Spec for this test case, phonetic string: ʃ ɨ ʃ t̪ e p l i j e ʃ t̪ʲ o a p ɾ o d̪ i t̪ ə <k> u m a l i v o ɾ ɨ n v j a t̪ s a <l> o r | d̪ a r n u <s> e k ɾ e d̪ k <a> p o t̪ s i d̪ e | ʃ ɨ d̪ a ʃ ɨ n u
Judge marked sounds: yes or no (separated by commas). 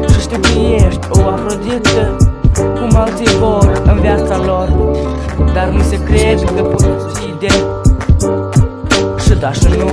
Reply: yes, yes, yes, no